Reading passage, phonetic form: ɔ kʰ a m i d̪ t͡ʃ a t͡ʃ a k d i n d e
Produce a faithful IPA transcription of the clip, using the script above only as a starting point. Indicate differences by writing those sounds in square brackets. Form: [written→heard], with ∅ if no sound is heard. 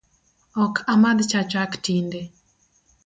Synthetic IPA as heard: ɔ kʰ a m [i→a] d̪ t͡ʃ a t͡ʃ a k [d→t] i n d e